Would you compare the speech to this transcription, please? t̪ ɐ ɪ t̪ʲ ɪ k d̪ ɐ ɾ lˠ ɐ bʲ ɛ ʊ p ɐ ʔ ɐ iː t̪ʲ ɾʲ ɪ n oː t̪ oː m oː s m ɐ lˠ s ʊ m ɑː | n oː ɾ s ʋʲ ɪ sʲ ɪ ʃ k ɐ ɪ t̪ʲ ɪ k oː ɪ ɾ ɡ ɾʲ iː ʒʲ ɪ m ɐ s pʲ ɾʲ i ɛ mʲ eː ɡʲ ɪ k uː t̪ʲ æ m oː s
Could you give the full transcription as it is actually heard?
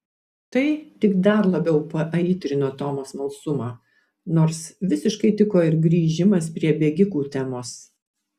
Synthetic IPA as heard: t̪ ɐ ɪ t̪ʲ ɪ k d̪ ɐ ɾ lˠ ɐ bʲ ɛ ʊ p ɐ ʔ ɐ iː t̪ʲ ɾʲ ɪ n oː t̪ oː m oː s m ɐ lˠ s ʊ m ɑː | n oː ɾ s ʋʲ ɪ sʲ ɪ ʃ k ɐ ɪ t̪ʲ ɪ k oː ɪ ɾ ɡ ɾʲ iː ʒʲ ɪ m ɐ s pʲ ɾʲ i ɛ bʲ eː ɡʲ ɪ k uː t̪ʲ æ m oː s

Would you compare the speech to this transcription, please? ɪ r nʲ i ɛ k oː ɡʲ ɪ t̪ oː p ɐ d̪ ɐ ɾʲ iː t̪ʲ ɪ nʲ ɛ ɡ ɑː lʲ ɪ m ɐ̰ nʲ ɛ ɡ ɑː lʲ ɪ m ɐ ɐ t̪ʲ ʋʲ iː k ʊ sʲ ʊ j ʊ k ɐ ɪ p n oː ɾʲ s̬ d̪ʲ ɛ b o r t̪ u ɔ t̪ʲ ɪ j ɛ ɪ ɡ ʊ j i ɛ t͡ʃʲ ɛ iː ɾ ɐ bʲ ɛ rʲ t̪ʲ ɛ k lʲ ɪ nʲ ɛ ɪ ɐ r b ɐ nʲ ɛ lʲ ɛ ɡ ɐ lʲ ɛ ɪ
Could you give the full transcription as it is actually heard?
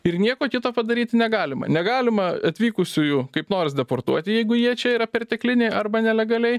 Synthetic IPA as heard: ɪ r nʲ i ɛ k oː kʲ ɪ t̪ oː p ɐ d̪ ɐ ɾʲ iː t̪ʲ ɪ nʲ ɛ ɡ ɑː lʲ ɪ m ɐ̰ nʲ ɛ ɡ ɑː lʲ ɪ m ɐ ɐ t̪ʲ ʋʲ iː k ʊ sʲ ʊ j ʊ k ɐ ɪ p n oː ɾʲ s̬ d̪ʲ ɛ p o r t̪ u ɔ t̪ʲ ɪ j ɛ ɪ ɡ ʊ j i ɛ t͡ʃʲ ɛ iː ɾ ɐ pʲ ɛ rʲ t̪ʲ ɛ k lʲ ɪ nʲ ɛ ɪ ɐ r b ɐ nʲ ɛ lʲ ɛ ɡ ɐ lʲ ɛ ɪ

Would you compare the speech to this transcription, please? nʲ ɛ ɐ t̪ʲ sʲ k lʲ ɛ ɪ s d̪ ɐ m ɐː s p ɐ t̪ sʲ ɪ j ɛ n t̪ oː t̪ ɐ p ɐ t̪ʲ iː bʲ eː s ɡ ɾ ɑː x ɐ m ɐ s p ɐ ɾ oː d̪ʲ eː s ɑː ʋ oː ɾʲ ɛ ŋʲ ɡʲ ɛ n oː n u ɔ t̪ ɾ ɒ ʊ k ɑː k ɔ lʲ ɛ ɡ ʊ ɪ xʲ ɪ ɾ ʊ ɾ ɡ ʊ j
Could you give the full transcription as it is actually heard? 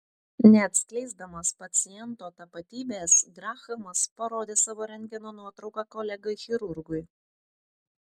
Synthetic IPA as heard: nʲ ɛ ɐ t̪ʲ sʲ k lʲ ɛ ɪ z d̪ ɐ m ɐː s p ɐ t̪ sʲ ɪ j ɛ n t̪ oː t̪ ɐ p ɐ t̪ʲ iː bʲ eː s ɡ ɾ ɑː x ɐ m ɐ s p ɐ ɾ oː d̪ʲ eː s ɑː ʋ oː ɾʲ ɛ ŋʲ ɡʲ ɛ n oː n u ɔ t̪ ɾ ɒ ʊ k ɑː k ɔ lʲ ɛ ɡ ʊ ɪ xʲ ɪ ɾ ʊ ɾ ɡ ʊ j

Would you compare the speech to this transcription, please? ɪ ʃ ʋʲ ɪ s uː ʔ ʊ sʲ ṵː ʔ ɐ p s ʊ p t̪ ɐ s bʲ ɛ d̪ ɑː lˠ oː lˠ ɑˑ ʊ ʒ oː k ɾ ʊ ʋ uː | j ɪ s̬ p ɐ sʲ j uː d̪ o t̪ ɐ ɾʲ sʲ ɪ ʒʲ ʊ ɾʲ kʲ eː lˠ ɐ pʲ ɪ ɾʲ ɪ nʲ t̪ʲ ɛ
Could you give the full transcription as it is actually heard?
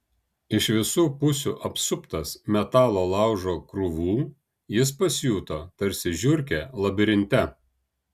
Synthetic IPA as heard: ɪ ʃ ʋʲ ɪ s uː p ʊ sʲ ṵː ʔ ɐ p s ʊ p t̪ ɐ s mʲ ɛ t̪ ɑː lˠ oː lˠ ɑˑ ʊ ʒ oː k ɾ ʊ ʋ uː | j ɪ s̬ p ɐ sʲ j uː t̪ o t̪ ɐ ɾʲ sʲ ɪ ʒʲ ʊ ɾʲ kʲ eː lˠ ɐ bʲ ɪ ɾʲ ɪ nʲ t̪ʲ ɛ

